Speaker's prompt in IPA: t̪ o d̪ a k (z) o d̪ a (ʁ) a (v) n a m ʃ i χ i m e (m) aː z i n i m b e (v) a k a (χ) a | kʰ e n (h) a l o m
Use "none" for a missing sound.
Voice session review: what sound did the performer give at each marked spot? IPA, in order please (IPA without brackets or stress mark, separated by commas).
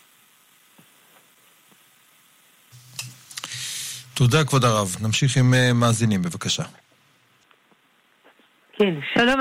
v, ʁ, v, m, v, ʃ, ʃ